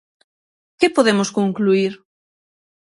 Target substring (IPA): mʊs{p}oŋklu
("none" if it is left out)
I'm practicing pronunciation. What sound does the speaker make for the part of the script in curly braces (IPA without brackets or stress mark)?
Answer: k